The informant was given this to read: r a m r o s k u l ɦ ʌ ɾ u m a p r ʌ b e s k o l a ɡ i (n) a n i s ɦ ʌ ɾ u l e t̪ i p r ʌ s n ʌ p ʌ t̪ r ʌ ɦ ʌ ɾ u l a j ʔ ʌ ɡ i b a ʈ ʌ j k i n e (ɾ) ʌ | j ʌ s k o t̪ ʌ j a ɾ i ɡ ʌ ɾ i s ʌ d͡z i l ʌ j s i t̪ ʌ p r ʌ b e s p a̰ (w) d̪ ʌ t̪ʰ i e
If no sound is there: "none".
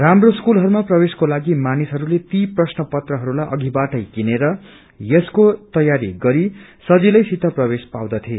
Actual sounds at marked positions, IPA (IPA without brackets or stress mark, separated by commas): m, ɾ, w